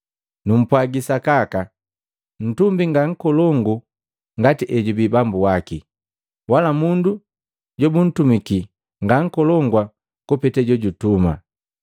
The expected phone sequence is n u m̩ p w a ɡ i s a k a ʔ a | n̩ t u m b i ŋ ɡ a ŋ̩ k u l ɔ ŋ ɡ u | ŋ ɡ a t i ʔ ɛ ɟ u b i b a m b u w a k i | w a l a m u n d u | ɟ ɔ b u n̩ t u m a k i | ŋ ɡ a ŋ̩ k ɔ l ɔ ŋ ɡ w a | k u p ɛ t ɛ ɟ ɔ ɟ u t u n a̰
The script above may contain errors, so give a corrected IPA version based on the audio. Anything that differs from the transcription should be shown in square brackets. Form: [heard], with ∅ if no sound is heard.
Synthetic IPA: n u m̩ p w a ɡ i s a k a [k] a | n̩ t u m b i ŋ ɡ a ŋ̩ k [ɔ] l ɔ ŋ ɡ u | ŋ ɡ a t i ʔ ɛ ɟ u b i b a m b u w a k i | w a l a m u n d u | ɟ ɔ b u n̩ t u m [i] k i | ŋ ɡ a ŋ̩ k ɔ l ɔ ŋ ɡ w a | k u p ɛ t ɛ ɟ ɔ ɟ u t u [m] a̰